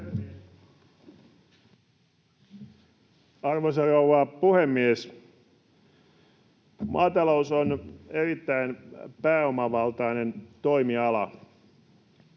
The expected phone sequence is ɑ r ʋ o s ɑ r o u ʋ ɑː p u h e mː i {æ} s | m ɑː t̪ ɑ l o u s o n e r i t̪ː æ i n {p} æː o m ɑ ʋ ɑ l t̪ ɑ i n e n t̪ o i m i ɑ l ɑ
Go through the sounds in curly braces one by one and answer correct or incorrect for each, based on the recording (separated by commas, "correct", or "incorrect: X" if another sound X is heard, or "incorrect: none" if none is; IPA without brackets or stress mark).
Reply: incorrect: e, correct